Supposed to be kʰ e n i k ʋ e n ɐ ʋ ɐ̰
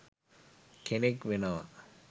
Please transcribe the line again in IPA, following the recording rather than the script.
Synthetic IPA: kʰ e n e k ʋ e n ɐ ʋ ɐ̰

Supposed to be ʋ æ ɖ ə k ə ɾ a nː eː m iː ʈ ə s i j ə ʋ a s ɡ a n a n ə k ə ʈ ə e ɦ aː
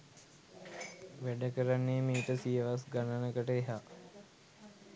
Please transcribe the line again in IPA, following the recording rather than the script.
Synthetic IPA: ʋ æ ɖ ə k ə ɾ a nː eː m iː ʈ ə s i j ə ʋ a s ɡ a n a n ə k ə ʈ ə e ɦ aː

